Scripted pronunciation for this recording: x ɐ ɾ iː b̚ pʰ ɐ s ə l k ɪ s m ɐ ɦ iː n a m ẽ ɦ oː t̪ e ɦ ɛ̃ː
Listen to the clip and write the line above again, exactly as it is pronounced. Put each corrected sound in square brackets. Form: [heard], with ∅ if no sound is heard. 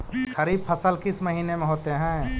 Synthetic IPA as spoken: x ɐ ɾ iː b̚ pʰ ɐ s ə l k ɪ s m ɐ ɦ iː n [e] m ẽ ɦ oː t̪ e ɦ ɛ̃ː